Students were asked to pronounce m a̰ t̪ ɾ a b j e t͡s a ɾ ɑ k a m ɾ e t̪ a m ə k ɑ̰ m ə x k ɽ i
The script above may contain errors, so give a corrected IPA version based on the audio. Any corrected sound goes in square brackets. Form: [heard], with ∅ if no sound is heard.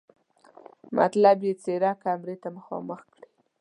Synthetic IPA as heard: m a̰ t̪ [l] a b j e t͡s [e] ɾ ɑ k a m ɾ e t̪ a m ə [x] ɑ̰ m ə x k ɽ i